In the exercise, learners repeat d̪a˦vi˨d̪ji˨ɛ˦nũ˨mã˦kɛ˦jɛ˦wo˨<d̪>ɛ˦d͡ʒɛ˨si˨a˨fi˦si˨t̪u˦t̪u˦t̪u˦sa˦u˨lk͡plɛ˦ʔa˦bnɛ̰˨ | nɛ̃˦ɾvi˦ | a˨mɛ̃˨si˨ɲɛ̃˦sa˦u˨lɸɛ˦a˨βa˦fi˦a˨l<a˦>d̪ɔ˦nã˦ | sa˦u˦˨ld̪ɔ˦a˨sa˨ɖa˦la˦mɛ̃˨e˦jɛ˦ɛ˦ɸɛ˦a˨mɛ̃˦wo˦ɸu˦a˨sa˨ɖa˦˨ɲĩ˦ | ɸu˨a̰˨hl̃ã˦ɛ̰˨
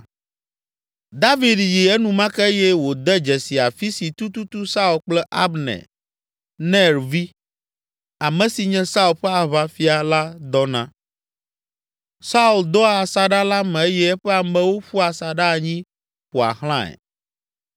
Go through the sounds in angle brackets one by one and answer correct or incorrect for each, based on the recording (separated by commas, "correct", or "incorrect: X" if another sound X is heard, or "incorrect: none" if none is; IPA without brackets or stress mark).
correct, correct